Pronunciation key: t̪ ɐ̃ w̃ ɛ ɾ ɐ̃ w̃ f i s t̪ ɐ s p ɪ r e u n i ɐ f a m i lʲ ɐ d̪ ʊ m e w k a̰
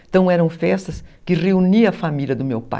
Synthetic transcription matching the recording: t̪ ɐ̃ w̃ ɛ ɾ ɐ̃ w̃ f ɛ s t̪ ɐ s k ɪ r e u n i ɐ f a m i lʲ ɐ d̪ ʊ m e w p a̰